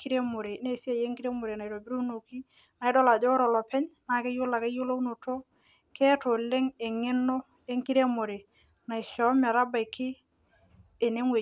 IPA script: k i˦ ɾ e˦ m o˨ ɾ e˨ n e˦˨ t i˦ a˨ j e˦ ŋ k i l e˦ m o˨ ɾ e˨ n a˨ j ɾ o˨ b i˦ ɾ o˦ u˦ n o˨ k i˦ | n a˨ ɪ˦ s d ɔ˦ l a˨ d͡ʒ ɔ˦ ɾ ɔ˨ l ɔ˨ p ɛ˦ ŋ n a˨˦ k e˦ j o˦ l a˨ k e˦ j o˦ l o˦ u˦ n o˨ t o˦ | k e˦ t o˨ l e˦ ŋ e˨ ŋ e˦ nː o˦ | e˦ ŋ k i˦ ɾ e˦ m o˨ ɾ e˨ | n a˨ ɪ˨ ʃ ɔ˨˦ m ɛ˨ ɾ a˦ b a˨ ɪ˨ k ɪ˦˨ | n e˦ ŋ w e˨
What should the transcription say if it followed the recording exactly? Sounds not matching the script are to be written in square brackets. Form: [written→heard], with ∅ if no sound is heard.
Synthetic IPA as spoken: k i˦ ɾ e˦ m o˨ ɾ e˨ n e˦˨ [t→s] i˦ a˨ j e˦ ŋ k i [l→ɾ] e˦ m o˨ ɾ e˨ n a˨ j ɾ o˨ b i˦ ɾ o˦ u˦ n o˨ k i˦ | n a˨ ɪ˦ [s→∅] d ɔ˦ l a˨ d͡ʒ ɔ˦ ɾ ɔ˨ l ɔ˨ p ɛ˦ [ŋ→ɲ] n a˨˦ k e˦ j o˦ l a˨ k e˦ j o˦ l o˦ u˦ n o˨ t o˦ | k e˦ t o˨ l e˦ ŋ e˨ ŋ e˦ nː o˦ | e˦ ŋ k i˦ ɾ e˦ m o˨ ɾ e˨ | n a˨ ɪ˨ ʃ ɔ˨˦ m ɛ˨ ɾ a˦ b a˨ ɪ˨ k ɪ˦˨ | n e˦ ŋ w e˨